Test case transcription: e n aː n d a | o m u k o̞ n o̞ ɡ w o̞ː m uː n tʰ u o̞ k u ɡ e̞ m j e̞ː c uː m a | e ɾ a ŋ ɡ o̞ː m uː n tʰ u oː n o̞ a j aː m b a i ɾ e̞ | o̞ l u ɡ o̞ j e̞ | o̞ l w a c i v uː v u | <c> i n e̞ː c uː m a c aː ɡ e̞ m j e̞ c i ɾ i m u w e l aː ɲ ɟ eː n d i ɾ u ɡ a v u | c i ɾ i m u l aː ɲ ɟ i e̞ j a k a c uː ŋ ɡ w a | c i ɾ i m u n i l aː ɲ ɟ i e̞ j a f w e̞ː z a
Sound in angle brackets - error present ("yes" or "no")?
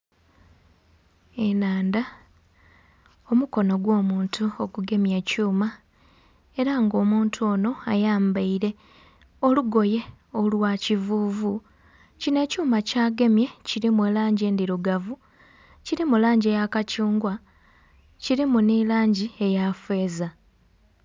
no